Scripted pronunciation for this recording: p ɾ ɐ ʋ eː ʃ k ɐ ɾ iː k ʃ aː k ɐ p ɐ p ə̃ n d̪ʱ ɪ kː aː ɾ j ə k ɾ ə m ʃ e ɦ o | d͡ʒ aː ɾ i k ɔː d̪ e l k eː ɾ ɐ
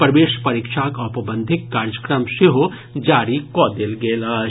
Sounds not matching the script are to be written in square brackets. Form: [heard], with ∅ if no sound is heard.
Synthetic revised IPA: p ɾ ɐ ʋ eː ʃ [p] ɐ ɾ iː k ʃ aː k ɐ p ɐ [b] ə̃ n d̪ʱ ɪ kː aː ɾ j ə k ɾ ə m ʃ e ɦ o | d͡ʒ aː ɾ i k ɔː d̪ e l [ɡ] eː [l] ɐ